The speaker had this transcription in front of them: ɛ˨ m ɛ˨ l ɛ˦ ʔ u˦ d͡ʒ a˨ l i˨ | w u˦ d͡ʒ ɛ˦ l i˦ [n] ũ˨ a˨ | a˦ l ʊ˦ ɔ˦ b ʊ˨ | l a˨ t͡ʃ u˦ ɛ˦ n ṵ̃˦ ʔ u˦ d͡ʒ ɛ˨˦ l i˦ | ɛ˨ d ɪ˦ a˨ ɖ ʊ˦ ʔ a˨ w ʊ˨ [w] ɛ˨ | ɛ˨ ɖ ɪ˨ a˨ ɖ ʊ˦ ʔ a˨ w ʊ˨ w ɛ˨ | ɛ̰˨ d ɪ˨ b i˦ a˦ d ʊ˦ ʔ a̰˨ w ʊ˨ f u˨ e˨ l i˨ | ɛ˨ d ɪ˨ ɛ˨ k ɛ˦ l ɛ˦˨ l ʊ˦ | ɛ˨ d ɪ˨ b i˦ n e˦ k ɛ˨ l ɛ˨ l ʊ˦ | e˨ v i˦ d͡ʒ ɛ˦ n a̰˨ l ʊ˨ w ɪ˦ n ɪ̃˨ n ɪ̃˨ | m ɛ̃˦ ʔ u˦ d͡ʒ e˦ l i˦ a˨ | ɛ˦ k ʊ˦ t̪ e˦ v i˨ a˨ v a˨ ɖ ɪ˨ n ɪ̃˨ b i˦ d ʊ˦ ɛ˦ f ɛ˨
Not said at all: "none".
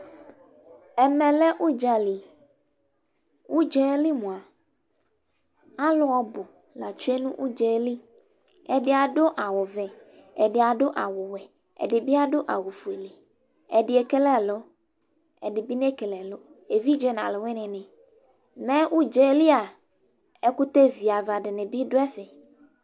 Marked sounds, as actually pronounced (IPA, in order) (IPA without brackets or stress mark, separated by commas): m, v